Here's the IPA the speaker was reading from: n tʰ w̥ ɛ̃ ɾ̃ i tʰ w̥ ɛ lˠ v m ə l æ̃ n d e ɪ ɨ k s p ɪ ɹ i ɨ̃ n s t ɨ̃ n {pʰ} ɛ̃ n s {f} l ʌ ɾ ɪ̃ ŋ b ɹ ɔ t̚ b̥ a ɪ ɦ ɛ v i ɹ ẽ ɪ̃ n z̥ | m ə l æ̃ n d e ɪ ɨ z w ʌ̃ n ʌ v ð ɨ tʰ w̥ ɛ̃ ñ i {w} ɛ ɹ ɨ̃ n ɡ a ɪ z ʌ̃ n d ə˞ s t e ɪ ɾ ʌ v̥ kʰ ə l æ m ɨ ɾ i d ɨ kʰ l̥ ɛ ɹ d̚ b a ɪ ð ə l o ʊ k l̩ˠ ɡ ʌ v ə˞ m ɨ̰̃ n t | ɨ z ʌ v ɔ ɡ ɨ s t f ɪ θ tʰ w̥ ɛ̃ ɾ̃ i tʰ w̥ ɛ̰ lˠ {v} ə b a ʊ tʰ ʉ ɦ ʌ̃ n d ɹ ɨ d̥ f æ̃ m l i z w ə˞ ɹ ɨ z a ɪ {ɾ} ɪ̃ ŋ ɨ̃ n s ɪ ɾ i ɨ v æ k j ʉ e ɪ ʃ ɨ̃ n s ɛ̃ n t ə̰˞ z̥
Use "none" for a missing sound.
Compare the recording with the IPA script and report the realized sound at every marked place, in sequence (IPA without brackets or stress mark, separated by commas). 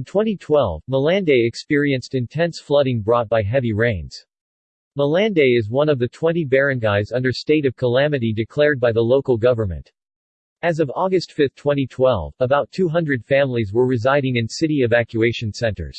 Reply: tʰ, f, b, v, ɾ